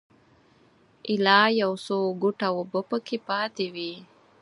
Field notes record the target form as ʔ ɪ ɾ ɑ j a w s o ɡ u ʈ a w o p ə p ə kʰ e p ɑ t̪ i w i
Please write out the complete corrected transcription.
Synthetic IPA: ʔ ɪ l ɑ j a w s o ɡ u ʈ a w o b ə p ə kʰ e p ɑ t̪ e w i

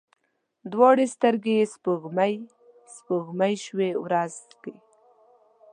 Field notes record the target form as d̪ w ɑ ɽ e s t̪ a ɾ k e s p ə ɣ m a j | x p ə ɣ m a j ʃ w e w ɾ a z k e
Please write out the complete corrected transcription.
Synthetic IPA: d̪ w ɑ ɽ e s t̪ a ɾ ɡ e s p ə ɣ m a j | s p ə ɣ m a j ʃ w e w ɾ a z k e

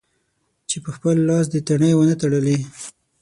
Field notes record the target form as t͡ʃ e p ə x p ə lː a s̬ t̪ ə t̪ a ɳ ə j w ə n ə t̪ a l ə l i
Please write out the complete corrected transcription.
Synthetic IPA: t͡ʃ e p ə x p ə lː ɑ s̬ d̪ ə t̪ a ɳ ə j w ə n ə t̪ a ɽ ə l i

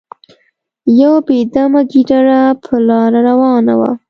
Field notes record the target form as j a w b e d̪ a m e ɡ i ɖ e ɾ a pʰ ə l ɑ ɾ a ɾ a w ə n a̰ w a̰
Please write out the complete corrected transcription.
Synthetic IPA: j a w b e d̪ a m a ɡ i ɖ a ɾ a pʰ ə l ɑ ɾ a ɾ a w ɑ n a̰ w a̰

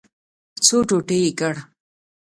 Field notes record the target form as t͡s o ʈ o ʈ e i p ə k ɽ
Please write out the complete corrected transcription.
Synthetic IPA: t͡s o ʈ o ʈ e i k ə ɽ

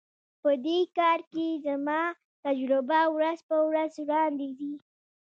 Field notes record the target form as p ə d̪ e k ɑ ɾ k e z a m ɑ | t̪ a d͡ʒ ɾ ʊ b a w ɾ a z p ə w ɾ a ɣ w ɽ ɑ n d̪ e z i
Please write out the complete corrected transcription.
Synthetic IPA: p ə d̪ e k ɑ ɾ k e z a m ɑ | t̪ a d͡ʒ ɾ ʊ b a w ɾ a z p ə w ɾ a z w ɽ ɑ n d̪ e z i

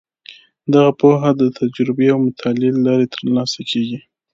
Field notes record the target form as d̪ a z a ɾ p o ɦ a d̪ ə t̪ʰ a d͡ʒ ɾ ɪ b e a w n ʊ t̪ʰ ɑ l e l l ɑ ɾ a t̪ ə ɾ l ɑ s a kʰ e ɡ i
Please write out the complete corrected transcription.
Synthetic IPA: d̪ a ɣ a p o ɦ a d̪ ə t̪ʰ a d͡ʒ ɾ ɪ b e a w m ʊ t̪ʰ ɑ l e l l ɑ ɾ e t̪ ə ɾ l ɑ s a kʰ e ɡ i

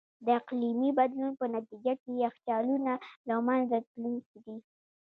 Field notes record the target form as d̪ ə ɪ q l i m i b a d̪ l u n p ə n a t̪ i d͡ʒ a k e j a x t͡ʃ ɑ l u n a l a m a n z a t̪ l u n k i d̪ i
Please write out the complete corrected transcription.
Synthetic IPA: d̪ ə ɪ q l i m i b a d̪ l u n p ə n a t̪ i d͡ʒ a k e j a x t͡ʃ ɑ l u n a l a m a n z a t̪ l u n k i d̪ i

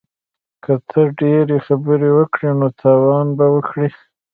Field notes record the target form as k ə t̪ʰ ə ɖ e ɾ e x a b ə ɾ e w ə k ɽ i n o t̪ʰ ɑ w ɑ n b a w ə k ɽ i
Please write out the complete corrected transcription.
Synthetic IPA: k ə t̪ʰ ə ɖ e ɾ e x a b ə ɾ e w ə k ɽ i n o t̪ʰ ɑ w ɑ n b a w ə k ɽ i

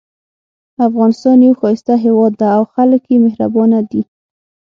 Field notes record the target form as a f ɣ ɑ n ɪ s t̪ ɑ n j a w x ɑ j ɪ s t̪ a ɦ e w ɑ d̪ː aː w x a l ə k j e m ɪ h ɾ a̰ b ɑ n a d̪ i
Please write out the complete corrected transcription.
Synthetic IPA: a f ɣ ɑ n ɪ s t̪ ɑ n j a w x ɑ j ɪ s t̪ a ɦ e w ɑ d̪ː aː w x a l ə k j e m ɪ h ɾ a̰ b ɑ n a d̪ i

